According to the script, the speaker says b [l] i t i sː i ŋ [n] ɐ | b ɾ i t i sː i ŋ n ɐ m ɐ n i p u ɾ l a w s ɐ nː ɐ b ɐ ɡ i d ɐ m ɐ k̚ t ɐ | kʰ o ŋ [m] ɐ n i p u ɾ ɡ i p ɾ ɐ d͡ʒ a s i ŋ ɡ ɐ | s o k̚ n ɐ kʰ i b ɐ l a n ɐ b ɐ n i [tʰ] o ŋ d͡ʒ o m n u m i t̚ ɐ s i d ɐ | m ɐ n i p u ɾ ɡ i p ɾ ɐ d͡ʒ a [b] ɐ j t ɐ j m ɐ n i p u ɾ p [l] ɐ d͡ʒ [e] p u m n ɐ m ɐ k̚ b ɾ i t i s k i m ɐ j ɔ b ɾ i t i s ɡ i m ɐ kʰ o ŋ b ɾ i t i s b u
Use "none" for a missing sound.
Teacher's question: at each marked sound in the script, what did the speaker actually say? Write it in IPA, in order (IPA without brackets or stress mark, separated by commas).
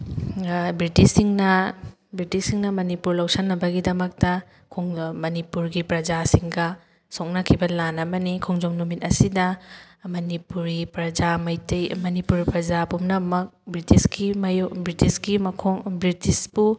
ɾ, n, m, kʰ, m, ɾ, a